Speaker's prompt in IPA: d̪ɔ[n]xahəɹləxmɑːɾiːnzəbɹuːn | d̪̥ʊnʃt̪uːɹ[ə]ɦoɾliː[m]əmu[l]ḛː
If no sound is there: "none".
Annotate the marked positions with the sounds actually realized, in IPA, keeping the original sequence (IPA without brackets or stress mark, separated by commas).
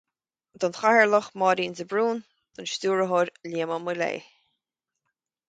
n, ə, m, l